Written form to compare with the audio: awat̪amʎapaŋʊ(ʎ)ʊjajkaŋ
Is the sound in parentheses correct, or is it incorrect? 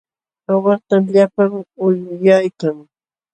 incorrect